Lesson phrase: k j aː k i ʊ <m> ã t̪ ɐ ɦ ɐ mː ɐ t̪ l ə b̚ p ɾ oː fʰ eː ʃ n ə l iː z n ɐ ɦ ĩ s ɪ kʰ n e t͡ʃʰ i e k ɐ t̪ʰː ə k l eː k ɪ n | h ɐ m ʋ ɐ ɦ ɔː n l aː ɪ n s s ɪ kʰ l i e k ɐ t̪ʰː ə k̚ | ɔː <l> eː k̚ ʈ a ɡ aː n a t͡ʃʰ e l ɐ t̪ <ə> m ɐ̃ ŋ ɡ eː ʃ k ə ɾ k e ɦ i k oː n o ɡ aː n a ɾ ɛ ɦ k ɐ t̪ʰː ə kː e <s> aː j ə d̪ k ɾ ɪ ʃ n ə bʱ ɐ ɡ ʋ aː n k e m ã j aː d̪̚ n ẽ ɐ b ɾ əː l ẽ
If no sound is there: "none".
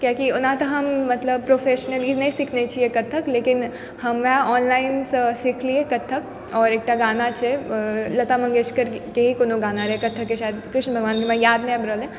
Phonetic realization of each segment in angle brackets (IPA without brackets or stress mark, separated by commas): n, ɾ, a, ʃ